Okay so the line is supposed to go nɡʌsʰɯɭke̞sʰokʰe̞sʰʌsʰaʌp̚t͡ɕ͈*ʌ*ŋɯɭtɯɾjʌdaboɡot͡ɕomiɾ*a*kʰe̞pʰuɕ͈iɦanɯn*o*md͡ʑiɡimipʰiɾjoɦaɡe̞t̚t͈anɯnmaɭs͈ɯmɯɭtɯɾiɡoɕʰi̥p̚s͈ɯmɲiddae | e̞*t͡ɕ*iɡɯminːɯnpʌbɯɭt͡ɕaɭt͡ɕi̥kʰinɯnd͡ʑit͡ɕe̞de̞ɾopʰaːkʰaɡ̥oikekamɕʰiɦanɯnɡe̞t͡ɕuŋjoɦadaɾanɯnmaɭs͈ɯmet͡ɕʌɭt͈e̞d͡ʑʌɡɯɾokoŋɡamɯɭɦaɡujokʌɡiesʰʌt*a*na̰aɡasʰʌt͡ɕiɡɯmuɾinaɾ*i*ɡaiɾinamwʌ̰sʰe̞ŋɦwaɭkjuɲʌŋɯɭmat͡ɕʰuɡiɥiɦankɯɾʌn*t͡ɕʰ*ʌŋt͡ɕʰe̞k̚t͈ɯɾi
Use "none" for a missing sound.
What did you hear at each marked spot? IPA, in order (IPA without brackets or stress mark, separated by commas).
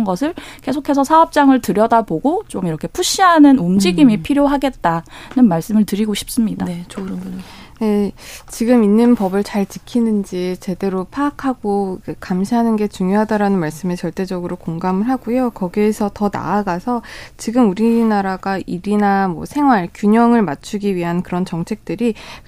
a, ʌ, u, t͡ɕ, ʌ, a, t͡ɕ